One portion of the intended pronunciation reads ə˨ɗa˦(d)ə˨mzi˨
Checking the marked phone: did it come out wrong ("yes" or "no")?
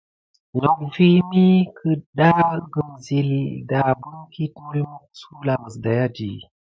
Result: yes